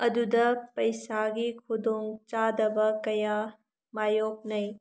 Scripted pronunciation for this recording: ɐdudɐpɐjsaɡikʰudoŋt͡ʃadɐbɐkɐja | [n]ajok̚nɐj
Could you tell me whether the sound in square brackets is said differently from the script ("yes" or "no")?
yes